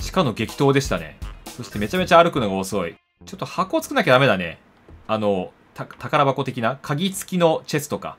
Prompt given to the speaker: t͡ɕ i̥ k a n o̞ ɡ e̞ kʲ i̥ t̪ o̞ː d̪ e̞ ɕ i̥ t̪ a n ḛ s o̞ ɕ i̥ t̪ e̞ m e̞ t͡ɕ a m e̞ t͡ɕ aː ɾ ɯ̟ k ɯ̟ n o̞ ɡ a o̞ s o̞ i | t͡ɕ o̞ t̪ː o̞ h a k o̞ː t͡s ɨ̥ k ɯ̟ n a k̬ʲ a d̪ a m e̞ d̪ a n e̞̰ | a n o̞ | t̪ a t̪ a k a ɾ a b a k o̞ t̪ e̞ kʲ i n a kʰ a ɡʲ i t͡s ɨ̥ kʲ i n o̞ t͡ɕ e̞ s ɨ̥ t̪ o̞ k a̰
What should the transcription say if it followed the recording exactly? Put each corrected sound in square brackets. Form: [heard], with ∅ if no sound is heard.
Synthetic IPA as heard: t͡ɕ i̥ k a n o̞ ɡ e̞ kʲ i̥ t̪ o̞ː d̪ e̞ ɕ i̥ t̪ a n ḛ s o̞ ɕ i̥ t̪ e̞ m e̞ t͡ɕ a m e̞ t͡ɕ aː ɾ ɯ̟ k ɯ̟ n o̞ ɡ a o̞ s o̞ i | t͡ɕ o̞ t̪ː o̞ h a k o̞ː t͡s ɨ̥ k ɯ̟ n a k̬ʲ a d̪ a m e̞ d̪ a n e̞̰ | a n o̞ | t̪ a t̪ a k a ɾ a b a k o̞ t̪ e̞ kʲ i n a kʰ a ɡʲ i t͡s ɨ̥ kʲ i n o̞ t͡ɕ e̞ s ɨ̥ t̪ o̞ k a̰